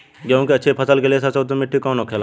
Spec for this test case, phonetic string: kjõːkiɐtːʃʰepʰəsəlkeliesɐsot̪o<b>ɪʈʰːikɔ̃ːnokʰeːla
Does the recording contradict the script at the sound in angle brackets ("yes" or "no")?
yes